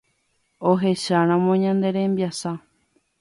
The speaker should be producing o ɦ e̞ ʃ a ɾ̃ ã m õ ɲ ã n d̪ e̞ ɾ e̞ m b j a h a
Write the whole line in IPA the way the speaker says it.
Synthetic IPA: o ɦ e̞ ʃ a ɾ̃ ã m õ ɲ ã n d̪ e̞ ɾ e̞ m b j a s a